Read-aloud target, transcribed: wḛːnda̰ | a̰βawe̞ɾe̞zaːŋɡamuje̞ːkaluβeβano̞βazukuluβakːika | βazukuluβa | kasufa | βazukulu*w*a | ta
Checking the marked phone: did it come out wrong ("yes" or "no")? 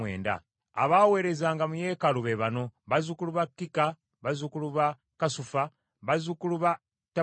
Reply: yes